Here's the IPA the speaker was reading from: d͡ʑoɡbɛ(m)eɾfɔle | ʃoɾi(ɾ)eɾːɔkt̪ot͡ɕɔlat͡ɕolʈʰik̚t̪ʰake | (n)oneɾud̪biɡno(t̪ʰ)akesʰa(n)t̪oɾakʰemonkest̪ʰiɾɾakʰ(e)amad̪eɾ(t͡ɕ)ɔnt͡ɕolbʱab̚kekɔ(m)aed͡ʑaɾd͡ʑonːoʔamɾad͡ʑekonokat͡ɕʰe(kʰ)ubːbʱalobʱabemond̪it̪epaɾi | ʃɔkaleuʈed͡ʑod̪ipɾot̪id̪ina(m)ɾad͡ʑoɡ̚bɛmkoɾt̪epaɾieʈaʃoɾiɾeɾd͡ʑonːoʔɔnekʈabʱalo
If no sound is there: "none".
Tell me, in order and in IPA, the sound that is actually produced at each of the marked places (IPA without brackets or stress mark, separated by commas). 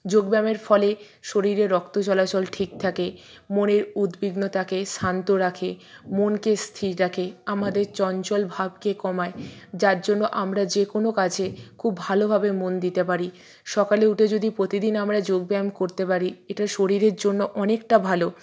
m, ɾ, m, t̪, n, e, t͡ɕ, m, kʰ, m